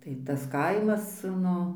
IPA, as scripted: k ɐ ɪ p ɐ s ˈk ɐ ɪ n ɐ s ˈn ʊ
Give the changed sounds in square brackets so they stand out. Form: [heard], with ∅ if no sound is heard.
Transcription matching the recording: [t] ɐ ɪ [t] ɐ s ˈk ɐ ɪ [m] ɐ s ˈn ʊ